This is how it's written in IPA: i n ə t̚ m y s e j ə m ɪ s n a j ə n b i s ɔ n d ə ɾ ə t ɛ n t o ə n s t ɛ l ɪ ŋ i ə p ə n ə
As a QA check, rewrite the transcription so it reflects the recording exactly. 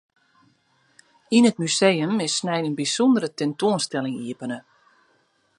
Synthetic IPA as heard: i n ə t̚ m y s e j ə m ɪ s n ɛ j ə n b i s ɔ n d ə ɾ ə t ɛ n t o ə n s t ɛ l ɪ ŋ i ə p ə n ə